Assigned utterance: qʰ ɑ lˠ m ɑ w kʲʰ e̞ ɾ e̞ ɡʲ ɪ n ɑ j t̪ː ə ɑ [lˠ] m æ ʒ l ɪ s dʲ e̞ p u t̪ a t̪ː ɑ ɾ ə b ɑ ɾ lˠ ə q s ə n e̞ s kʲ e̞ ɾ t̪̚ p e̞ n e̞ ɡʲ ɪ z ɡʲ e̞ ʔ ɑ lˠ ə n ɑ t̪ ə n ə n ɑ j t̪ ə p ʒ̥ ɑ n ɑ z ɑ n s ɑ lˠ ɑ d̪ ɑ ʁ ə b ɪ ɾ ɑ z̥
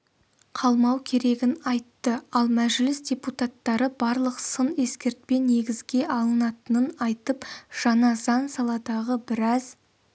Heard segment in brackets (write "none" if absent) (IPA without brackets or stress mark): lˠ